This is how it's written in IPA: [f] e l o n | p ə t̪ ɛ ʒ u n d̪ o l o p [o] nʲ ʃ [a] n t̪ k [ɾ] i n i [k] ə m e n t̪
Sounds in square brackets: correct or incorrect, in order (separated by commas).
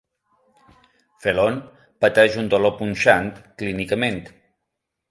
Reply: correct, incorrect, correct, incorrect, correct